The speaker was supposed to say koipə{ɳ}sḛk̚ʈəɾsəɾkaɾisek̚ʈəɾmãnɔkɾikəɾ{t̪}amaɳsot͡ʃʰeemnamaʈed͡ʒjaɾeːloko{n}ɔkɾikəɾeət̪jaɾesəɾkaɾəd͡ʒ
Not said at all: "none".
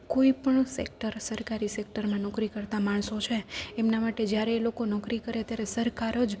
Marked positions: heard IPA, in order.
ɳ, t̪, n

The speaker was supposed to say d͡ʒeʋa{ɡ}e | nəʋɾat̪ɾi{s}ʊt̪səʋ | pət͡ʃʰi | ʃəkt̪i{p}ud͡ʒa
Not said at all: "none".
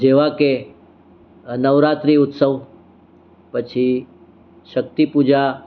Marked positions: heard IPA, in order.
k, none, p

